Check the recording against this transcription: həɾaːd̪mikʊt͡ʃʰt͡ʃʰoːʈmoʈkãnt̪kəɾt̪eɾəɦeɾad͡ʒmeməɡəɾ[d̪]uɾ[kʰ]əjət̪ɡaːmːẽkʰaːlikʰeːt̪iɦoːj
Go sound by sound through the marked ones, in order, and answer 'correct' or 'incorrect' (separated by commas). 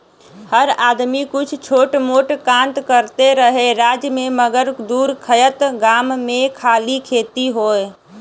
correct, correct